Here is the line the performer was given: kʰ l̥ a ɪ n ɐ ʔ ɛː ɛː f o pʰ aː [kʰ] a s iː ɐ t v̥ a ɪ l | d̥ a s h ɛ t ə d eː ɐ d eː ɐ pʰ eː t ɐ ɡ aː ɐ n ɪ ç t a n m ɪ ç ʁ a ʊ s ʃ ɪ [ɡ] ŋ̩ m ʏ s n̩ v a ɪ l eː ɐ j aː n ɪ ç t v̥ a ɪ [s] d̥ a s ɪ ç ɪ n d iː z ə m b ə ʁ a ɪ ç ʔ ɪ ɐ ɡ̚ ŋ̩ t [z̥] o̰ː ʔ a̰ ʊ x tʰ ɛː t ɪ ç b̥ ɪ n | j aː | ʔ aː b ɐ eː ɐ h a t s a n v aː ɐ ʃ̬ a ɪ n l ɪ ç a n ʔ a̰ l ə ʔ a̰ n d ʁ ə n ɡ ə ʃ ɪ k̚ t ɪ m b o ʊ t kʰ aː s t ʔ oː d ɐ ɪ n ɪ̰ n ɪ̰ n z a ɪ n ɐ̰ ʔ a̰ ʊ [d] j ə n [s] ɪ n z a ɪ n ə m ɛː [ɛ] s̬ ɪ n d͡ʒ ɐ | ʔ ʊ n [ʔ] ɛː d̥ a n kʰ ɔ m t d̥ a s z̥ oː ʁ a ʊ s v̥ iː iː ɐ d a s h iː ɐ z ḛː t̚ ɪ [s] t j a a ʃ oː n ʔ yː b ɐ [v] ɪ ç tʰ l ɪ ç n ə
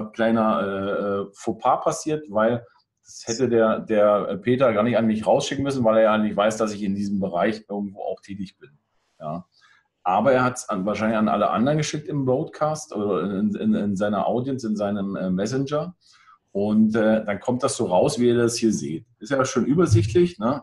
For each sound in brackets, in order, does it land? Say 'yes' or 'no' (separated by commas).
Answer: no, no, yes, no, yes, yes, yes, no, yes, no